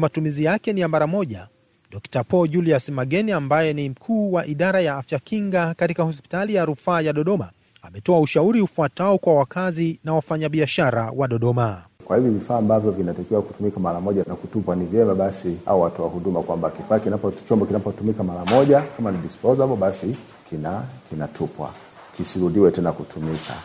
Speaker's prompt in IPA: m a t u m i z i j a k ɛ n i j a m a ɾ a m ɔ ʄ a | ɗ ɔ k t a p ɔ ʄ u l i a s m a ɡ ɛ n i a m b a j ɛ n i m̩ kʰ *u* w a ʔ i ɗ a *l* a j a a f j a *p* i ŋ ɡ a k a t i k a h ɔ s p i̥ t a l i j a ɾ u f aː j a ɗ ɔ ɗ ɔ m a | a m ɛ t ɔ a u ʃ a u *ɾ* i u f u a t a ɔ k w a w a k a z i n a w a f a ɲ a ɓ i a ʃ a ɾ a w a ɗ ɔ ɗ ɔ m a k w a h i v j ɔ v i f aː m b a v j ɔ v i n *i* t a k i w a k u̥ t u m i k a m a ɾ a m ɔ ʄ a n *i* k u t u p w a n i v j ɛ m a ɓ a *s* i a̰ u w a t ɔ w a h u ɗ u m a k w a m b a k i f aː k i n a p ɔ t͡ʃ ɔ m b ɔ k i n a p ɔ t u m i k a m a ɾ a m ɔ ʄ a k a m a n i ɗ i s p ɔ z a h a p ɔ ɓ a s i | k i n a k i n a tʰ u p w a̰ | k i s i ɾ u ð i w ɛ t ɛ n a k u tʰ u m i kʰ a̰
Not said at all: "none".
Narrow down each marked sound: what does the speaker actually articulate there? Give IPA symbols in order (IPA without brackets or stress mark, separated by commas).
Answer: uː, ɾ, k, ɾ, a, a, s